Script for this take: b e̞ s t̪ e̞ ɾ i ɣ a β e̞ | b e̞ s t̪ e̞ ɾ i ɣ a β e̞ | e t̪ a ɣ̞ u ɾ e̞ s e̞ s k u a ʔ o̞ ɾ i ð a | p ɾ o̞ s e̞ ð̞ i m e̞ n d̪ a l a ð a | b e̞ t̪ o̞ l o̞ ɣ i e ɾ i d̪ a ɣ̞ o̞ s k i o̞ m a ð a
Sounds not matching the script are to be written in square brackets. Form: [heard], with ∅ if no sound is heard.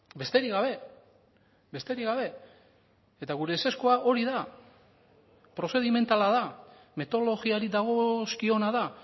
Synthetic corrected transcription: b e̞ s t̪ e̞ ɾ i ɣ a β e̞ | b e̞ s t̪ e̞ ɾ i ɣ a β e̞ | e t̪ a ɣ̞ u ɾ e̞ s e̞ s k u a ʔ o̞ ɾ i ð a | p ɾ o̞ s e̞ ð̞ i m e̞ n [t̪] a l a ð a | [m] e̞ t̪ o̞ l o̞ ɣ i [a] ɾ i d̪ a ɣ̞ o̞ s k i o̞ [n] a ð a